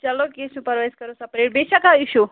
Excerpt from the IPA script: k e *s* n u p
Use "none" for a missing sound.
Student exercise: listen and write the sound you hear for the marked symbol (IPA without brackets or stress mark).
s